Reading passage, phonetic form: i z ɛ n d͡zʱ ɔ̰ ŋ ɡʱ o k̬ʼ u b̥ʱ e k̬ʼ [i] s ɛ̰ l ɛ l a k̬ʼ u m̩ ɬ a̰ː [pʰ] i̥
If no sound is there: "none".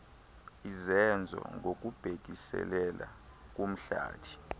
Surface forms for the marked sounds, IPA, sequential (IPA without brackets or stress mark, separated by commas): i, tʰ